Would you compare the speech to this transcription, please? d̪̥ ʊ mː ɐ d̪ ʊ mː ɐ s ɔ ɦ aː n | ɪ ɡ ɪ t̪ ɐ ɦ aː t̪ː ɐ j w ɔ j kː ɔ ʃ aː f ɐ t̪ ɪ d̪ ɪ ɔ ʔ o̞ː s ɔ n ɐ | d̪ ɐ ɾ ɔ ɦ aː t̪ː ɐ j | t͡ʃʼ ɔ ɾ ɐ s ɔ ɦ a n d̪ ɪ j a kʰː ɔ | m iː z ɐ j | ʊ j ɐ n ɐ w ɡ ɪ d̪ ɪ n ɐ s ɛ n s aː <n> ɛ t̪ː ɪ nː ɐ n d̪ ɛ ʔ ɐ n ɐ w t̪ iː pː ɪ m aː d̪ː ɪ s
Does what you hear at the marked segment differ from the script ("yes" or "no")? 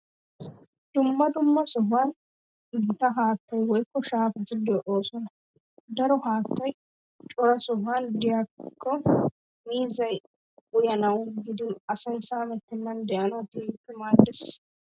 yes